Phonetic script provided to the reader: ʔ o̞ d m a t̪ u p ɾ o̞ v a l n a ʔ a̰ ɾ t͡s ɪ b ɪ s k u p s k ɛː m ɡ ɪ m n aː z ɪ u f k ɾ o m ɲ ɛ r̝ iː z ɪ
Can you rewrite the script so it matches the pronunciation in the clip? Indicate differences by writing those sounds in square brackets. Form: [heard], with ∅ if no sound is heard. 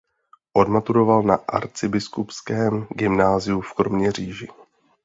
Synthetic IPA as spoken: ʔ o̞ d m a t̪ u [∅] ɾ o̞ v a l n a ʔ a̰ ɾ t͡s ɪ b ɪ s k u p s k ɛː m ɡ ɪ m n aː z ɪ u f k ɾ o m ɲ ɛ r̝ iː [ʒ] ɪ